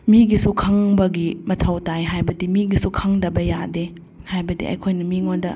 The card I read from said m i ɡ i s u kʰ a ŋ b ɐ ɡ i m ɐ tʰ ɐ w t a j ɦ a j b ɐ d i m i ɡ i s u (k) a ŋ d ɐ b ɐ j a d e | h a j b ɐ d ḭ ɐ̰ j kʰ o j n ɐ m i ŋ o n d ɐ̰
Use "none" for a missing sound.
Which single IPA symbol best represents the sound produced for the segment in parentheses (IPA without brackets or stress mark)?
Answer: kʰ